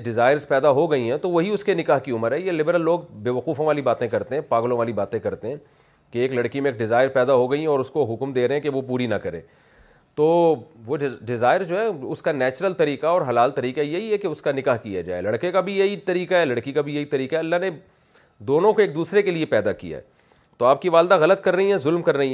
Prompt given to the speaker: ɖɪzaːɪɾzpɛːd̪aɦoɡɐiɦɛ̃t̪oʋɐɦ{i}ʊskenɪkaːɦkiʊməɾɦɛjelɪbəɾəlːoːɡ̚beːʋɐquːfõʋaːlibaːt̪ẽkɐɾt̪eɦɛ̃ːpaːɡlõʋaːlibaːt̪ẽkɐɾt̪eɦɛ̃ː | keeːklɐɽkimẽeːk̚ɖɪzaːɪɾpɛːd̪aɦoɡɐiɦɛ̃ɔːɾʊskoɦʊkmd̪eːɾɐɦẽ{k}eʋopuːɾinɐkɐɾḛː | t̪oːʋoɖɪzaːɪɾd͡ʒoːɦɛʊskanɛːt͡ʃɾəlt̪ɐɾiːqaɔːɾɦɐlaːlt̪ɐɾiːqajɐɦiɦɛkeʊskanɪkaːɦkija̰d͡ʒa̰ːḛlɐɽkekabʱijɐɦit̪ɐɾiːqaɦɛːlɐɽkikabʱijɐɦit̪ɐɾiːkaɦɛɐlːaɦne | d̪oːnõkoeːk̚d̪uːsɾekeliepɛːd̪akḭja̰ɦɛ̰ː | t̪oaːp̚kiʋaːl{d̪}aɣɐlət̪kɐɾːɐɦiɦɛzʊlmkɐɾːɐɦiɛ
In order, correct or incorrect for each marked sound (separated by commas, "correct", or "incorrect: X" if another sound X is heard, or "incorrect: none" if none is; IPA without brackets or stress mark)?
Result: correct, correct, correct